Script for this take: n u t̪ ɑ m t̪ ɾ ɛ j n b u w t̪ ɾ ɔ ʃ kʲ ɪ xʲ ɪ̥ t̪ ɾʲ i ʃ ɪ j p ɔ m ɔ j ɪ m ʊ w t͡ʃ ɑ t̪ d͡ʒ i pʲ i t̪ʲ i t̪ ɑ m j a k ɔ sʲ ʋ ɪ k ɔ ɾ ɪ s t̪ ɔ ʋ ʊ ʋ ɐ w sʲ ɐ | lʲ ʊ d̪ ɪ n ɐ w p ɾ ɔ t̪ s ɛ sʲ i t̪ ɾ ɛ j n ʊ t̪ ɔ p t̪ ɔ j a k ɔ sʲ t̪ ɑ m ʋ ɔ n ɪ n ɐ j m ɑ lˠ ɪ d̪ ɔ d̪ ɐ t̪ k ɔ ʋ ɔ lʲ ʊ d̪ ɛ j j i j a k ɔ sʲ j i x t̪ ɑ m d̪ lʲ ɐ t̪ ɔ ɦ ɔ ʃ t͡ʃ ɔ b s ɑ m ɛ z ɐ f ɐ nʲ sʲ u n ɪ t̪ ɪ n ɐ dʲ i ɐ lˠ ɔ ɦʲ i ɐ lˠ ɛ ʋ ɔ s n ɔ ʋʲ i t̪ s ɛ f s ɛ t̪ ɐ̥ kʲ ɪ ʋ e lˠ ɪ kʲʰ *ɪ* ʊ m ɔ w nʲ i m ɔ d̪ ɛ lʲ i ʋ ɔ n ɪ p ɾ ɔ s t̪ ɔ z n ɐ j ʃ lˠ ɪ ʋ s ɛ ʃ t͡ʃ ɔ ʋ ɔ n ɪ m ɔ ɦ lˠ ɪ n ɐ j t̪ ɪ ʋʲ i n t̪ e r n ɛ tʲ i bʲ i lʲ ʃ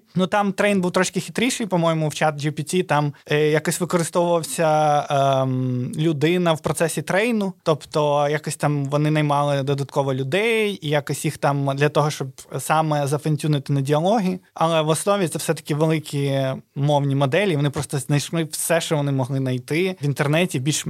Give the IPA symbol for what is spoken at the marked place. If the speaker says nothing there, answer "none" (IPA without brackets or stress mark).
i